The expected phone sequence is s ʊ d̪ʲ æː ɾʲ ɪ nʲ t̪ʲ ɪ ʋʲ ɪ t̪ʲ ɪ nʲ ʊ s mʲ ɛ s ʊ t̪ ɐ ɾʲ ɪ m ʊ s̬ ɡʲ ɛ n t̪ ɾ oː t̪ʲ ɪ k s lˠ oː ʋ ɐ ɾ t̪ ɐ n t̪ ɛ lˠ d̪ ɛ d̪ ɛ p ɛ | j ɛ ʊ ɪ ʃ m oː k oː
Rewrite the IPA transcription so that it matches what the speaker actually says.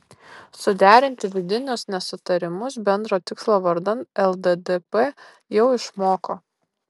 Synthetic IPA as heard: s ʊ d̪ʲ æː ɾʲ ɪ nʲ t̪ʲ ɪ ʋʲ ɪ d̪ʲ ɪ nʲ ʊ s nʲ ɛ s ʊ t̪ ɐ ɾʲ ɪ m ʊ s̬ bʲ ɛ n d̪ ɾ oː t̪ʲ ɪ k s lˠ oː ʋ ɐ ɾ d̪ ɐ n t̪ ɛ lˠ d̪ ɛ d̪ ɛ p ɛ | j ɛ ʊ ɪ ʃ m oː k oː